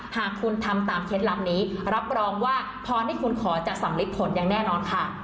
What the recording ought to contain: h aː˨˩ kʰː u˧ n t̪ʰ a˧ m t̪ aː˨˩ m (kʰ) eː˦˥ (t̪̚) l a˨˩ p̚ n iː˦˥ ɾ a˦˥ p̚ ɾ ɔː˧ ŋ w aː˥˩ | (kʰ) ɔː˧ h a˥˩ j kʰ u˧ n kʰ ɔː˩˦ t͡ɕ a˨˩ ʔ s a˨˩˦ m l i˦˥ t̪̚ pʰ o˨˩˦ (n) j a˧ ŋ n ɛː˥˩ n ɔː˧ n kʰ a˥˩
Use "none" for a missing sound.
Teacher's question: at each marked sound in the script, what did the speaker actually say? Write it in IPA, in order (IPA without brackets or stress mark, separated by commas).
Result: kʰ, t̪̚, pʰ, n